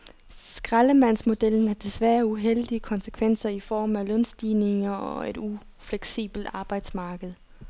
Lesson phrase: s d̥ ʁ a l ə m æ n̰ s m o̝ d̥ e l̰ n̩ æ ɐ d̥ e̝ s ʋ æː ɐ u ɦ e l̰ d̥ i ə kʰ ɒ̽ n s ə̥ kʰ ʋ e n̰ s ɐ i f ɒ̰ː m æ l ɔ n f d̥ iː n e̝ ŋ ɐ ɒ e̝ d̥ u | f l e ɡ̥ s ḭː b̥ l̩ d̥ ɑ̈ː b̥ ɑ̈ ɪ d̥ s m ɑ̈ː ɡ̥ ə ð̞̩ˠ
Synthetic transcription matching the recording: s ɡ̥ ʁ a l ə m æ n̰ s m o̝ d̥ e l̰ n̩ æ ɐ d̥ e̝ s ʋ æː ɐ u ɦ e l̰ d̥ i ə kʰ ɒ̽ n s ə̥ kʰ ʋ e n̰ s ɐ i f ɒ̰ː m æ l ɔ n s d̥ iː n e̝ ŋ ɐ ɒ e̝ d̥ u | f l e ɡ̥ s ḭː b̥ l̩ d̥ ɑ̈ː b̥ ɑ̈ ɪ d̥ s m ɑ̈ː ɡ̥ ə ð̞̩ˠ